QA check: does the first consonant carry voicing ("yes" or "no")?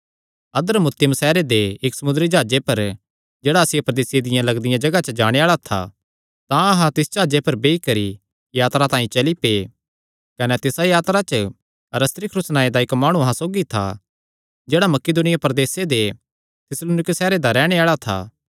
yes